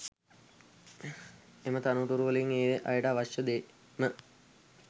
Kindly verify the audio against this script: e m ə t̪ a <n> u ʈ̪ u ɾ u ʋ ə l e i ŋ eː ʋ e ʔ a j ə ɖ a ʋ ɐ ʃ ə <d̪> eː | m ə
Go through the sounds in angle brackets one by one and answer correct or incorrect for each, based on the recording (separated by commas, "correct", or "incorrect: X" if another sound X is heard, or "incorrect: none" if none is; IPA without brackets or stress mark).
correct, correct